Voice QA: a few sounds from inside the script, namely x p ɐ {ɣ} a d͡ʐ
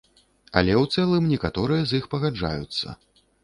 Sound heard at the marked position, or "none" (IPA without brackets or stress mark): ɣ